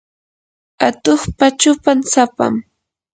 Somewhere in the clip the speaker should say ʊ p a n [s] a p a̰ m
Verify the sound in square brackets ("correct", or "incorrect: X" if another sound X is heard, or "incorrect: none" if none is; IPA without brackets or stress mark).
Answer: correct